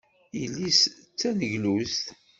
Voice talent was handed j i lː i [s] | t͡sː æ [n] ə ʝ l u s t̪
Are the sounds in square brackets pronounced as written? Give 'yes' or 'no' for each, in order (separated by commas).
yes, yes